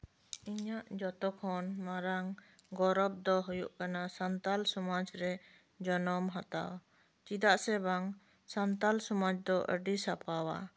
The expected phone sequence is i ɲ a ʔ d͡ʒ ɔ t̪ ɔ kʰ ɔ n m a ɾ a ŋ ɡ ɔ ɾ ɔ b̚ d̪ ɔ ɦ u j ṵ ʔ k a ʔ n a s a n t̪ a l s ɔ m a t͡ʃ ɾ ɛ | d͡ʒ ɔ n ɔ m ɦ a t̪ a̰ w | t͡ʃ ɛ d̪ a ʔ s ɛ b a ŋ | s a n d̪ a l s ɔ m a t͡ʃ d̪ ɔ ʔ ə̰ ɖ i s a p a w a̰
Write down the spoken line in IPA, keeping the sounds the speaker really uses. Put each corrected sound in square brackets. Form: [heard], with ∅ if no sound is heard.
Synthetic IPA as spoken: i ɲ a ʔ d͡ʒ ɔ t̪ ɔ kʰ ɔ n m a ɾ a ŋ ɡ ɔ ɾ ɔ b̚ d̪ ɔ ɦ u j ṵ ʔ k a [∅] n a s a n t̪ a l s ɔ m a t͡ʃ ɾ ɛ | d͡ʒ ɔ n ɔ m ɦ a t̪ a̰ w | t͡ʃ [i] d̪ a ʔ s ɛ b a ŋ | s a n [t̪] a l s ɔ m a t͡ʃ d̪ ɔ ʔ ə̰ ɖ i s a p a w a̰